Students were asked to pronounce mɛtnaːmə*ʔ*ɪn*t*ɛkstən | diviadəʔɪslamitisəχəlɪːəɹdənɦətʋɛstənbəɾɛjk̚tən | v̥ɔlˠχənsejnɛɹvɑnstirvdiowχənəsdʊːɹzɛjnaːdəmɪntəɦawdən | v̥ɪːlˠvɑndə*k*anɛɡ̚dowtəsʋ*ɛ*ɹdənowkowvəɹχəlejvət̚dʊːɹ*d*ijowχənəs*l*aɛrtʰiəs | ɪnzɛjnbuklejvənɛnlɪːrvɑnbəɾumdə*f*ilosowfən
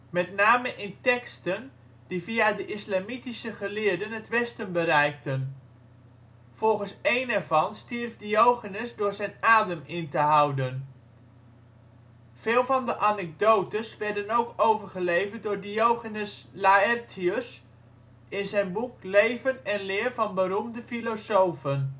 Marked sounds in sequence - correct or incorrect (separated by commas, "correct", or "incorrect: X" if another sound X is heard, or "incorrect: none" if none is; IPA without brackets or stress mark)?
correct, correct, incorrect: ʔ, correct, correct, correct, correct